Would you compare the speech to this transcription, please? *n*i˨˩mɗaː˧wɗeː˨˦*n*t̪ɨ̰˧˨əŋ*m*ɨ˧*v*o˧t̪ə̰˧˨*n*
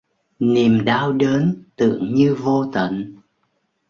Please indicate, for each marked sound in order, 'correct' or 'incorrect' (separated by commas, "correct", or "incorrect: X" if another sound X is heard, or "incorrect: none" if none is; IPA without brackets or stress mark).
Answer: correct, correct, incorrect: ɲ, correct, correct